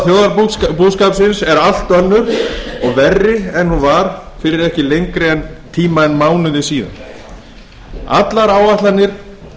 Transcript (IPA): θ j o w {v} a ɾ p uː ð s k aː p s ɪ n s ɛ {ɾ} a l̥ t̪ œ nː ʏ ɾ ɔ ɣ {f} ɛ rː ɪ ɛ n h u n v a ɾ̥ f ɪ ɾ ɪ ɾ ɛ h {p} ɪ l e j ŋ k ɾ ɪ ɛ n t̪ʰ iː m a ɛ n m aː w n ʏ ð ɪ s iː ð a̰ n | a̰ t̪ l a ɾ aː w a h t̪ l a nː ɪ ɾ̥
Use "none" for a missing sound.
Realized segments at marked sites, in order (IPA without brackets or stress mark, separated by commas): ð, ɾ, v, c